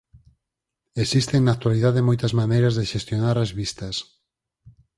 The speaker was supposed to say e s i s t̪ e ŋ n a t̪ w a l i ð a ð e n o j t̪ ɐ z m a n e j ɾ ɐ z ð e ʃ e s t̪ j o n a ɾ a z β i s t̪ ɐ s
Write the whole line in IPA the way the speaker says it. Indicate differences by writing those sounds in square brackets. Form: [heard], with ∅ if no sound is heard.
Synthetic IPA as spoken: e s i s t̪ e ŋ n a t̪ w a l i ð a ð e [m] o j t̪ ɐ z m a n e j ɾ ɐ z ð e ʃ e s t̪ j o n a ɾ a z β i s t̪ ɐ s